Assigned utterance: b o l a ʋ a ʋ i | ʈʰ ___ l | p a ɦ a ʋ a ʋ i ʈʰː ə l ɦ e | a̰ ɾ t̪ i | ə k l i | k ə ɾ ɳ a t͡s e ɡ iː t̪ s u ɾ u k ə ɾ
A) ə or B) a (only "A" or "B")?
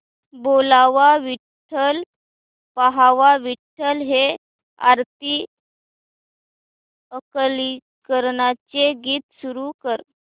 A